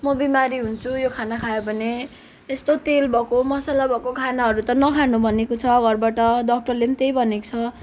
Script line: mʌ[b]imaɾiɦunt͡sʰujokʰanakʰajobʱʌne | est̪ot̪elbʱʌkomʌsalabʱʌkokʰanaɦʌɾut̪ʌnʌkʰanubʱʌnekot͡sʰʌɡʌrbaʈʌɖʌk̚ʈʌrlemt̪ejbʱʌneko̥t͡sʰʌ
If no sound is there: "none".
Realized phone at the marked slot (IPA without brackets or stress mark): b